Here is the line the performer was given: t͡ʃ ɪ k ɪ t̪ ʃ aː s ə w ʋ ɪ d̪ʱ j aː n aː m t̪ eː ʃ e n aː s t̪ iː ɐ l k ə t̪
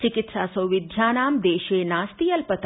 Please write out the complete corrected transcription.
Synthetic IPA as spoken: t͡ʃ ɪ k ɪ t̪ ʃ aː s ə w ʋ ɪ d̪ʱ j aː n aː m d̪ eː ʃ e n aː s t̪ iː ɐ l p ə t̪